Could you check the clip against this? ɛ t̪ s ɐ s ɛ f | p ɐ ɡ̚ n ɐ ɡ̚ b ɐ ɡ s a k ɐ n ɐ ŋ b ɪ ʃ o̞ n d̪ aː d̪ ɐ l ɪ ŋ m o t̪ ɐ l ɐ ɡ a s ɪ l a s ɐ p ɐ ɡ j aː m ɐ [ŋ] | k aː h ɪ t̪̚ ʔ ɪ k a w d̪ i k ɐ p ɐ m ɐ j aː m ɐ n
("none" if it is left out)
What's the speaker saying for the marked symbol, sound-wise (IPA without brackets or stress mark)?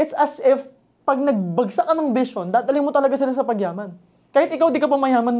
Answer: n